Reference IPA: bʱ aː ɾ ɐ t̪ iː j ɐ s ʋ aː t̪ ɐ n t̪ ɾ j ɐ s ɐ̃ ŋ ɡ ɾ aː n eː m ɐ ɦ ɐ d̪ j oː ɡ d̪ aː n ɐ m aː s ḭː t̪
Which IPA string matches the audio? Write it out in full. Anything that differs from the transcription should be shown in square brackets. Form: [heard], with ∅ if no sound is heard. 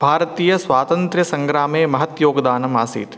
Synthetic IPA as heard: bʱ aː ɾ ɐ t̪ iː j ɐ s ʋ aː t̪ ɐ n t̪ ɾ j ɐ s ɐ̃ ŋ ɡ ɾ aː [m] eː m ɐ ɦ ɐ [t̪] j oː ɡ d̪ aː n ɐ m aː s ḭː t̪